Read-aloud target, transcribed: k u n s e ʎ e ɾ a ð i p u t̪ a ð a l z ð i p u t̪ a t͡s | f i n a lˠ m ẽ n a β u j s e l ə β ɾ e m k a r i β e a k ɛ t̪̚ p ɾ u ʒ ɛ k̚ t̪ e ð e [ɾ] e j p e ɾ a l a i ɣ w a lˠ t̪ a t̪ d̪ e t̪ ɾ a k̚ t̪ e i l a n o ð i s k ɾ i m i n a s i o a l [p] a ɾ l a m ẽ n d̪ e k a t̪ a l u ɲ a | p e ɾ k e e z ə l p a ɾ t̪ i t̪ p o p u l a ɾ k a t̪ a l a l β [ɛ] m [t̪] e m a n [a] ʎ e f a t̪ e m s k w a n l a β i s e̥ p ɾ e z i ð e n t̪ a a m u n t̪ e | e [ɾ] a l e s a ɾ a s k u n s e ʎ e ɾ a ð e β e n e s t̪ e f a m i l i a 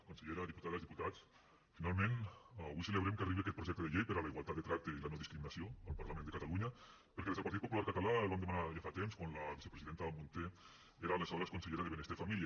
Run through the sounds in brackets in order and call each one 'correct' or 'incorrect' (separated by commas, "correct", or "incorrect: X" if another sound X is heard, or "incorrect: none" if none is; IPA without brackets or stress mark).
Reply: incorrect: ʎ, correct, incorrect: a, incorrect: d̪, correct, correct